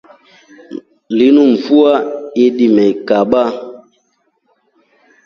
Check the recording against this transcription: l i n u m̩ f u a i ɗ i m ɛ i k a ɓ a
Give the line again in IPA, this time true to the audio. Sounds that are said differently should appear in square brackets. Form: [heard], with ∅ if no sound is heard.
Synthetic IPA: l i n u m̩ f u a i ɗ i m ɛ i k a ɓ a